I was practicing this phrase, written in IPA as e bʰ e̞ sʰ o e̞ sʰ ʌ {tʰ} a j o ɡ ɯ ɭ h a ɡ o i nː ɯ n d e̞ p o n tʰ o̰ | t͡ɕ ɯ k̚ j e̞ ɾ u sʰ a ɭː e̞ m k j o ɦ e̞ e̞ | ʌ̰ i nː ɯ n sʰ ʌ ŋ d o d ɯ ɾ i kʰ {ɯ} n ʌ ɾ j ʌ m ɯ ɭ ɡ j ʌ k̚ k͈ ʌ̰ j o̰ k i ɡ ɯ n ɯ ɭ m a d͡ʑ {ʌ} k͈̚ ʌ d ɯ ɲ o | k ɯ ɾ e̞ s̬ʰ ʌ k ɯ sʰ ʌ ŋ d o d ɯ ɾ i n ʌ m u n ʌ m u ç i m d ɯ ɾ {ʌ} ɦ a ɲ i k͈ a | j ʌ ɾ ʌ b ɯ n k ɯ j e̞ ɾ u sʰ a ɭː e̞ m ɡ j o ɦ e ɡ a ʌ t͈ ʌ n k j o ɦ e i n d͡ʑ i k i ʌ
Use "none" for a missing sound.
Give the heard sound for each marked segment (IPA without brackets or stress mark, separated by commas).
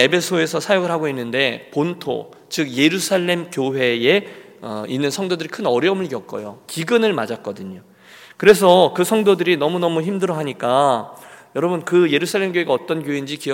sʰ, ɯ, a, ʌ